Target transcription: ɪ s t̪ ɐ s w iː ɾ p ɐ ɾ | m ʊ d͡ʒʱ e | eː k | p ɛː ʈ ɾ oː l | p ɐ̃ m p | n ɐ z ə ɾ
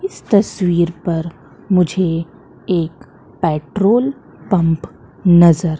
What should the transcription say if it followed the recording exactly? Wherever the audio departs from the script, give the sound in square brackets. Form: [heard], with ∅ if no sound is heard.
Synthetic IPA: ɪ s t̪ ɐ s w iː ɾ p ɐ ɾ | m ʊ d͡ʒʱ e | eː k | p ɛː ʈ ɾ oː l | p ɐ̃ m p | n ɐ z ə ɾ